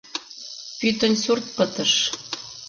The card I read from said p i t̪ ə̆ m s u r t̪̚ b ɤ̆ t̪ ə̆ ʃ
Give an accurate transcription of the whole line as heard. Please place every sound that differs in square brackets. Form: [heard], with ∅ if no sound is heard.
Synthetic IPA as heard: p [y] t̪ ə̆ [n] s u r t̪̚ [p] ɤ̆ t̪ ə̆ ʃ